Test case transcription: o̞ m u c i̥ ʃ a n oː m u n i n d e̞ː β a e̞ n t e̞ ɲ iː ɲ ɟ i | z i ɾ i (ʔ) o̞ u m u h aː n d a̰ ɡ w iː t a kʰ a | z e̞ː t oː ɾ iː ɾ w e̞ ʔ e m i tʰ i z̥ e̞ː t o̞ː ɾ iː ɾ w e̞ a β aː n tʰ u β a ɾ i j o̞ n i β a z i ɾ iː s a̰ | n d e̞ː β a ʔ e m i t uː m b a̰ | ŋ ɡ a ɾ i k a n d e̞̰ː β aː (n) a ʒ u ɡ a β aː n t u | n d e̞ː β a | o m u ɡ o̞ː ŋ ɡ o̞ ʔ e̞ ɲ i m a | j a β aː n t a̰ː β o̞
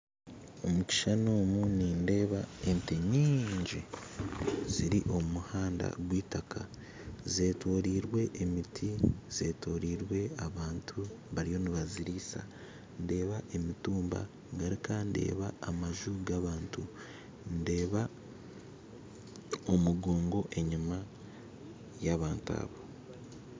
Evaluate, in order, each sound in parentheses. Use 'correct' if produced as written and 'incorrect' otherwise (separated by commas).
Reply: correct, incorrect